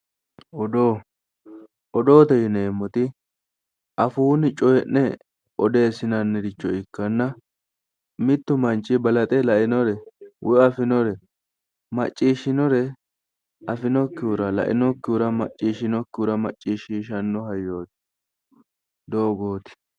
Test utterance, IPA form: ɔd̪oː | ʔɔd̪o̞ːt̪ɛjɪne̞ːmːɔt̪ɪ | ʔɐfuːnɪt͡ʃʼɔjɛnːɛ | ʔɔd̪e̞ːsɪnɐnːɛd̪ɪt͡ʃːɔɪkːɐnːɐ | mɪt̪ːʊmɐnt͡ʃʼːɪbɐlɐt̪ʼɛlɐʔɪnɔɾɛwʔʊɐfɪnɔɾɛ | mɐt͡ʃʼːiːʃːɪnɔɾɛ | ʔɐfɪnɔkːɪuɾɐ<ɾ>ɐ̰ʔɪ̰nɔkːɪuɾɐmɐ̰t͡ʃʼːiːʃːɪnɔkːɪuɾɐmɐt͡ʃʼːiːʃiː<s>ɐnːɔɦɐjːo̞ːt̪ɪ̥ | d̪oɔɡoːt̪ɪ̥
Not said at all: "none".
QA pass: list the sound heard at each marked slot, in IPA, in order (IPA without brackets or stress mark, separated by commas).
l, ʃ